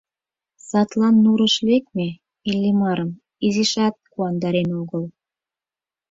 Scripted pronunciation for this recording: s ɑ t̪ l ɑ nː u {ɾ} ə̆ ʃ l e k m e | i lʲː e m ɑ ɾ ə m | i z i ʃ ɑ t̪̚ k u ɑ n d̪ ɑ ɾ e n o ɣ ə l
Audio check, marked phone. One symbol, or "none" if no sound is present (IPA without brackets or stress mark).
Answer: ɾ